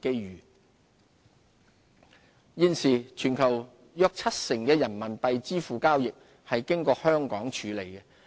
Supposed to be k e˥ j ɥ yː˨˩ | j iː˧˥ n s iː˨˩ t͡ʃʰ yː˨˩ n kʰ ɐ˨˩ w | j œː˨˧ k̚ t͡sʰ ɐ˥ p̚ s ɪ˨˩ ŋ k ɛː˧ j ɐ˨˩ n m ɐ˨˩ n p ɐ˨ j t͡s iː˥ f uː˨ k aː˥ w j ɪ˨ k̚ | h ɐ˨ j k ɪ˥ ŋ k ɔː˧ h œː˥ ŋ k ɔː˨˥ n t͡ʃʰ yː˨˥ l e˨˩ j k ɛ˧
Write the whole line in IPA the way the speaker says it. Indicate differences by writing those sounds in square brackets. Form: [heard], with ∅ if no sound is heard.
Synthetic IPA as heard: k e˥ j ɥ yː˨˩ | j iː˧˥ n s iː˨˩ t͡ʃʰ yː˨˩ n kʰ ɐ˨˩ w | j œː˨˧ k̚ t͡sʰ ɐ˥ [t̚] s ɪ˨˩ ŋ k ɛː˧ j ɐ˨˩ n m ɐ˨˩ n p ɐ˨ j t͡s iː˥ f uː˨ k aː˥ w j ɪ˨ k̚ | h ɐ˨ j k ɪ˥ ŋ k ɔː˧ h œː˥ ŋ k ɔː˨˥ [ŋ] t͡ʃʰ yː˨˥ l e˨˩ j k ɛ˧